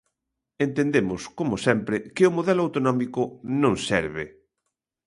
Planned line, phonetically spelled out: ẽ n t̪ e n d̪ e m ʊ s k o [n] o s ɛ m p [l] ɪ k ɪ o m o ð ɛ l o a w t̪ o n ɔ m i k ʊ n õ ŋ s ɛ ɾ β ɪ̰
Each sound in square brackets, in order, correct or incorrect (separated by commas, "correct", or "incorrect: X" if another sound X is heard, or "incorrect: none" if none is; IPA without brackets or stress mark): incorrect: m, incorrect: ɾ